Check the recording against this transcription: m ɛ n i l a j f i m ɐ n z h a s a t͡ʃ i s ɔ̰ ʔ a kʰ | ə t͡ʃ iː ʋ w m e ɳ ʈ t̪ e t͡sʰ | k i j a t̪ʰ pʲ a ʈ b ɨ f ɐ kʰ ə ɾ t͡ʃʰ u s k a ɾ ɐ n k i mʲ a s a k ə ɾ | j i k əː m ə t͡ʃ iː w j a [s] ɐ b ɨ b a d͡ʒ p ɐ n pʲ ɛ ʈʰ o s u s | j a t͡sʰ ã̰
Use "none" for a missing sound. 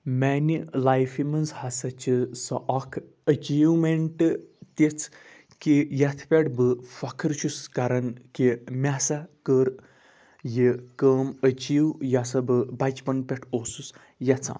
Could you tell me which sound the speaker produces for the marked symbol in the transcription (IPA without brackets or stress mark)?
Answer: s